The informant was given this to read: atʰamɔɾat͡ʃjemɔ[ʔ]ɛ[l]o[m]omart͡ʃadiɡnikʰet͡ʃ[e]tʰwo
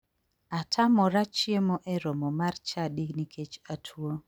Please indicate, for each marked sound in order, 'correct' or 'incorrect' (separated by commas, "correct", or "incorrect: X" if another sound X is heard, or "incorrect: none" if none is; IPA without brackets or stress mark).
correct, incorrect: ɾ, correct, incorrect: a